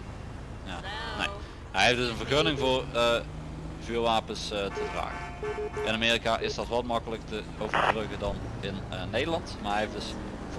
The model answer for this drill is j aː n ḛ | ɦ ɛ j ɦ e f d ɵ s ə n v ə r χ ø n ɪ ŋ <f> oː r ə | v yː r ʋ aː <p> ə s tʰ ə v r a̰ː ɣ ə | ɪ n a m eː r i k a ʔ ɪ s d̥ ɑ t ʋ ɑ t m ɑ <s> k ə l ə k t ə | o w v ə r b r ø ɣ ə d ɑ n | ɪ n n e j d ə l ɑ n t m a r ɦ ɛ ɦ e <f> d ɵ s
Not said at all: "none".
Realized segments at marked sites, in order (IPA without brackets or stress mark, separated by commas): v, p, none, f